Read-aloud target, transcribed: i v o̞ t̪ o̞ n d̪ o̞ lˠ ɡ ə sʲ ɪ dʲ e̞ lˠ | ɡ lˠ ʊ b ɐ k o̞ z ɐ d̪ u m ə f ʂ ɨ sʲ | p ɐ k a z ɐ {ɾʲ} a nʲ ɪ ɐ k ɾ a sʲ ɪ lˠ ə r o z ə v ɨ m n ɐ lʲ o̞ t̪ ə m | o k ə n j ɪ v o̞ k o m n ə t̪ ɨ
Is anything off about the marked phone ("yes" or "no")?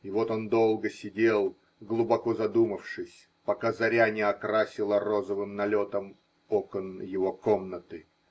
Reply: no